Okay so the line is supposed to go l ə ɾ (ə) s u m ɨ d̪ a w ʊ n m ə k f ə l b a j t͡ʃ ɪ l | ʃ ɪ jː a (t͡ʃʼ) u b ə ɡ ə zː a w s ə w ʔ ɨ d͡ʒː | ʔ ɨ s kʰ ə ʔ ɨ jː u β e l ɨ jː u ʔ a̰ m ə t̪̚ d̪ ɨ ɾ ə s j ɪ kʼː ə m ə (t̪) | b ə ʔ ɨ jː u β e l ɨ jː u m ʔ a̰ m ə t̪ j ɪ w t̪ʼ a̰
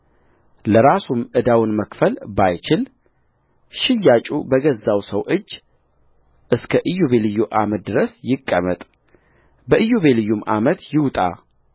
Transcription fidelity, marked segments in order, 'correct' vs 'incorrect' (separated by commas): incorrect, correct, incorrect